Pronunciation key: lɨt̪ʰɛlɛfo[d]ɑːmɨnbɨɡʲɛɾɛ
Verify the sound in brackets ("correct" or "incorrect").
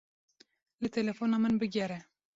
incorrect